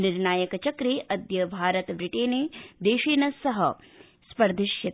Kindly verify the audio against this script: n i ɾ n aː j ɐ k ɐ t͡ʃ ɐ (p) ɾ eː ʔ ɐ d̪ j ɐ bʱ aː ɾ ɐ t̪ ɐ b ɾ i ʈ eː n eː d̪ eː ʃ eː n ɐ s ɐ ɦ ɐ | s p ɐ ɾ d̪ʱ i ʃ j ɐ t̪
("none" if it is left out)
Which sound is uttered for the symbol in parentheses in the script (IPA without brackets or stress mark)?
k